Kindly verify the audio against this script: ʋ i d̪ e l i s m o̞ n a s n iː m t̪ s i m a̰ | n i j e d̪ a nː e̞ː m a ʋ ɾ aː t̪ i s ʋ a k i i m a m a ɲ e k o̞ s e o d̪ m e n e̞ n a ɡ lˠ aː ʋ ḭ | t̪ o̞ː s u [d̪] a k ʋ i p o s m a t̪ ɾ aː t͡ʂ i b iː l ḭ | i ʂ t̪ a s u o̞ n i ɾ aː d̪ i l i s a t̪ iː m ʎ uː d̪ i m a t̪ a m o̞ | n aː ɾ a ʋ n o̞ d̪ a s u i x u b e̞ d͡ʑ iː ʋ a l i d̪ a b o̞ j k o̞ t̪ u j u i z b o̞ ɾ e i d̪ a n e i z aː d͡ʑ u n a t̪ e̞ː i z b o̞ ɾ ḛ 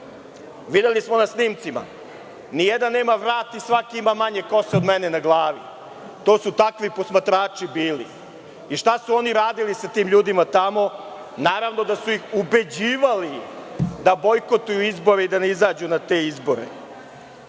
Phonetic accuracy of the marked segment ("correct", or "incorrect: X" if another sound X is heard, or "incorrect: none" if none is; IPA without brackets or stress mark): incorrect: t̪